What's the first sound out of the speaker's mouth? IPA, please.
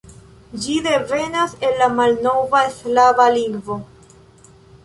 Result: d͡ʒ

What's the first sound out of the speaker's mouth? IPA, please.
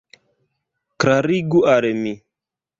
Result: k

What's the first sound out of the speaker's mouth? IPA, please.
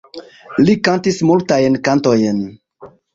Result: l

